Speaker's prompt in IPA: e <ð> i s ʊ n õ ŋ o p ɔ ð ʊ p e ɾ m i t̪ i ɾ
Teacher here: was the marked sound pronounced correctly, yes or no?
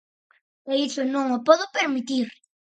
no